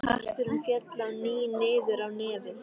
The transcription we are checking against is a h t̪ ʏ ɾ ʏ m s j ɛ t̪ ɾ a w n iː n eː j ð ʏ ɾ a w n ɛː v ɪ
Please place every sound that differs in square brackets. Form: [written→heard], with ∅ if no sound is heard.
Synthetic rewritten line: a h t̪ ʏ ɾ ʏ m [s→f] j ɛ t̪ [ɾ→l] a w n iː n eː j ð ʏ ɾ a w n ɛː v ɪ